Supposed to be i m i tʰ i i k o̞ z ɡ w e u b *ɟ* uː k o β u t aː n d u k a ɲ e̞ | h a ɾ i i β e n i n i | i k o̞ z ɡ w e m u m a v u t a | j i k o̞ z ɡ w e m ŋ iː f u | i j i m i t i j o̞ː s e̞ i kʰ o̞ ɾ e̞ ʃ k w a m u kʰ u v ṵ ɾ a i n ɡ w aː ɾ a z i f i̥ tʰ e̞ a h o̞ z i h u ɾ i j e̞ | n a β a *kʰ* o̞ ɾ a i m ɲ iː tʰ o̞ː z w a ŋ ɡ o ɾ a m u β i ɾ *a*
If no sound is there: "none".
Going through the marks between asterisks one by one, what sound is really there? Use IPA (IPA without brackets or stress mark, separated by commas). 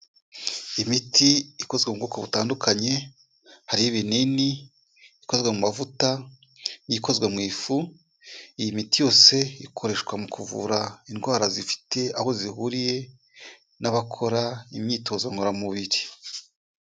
ɡ, kʰ, i